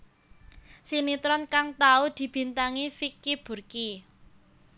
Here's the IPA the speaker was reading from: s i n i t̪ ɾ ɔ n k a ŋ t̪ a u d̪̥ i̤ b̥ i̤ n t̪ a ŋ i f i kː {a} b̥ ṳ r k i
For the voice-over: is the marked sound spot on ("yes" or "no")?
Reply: no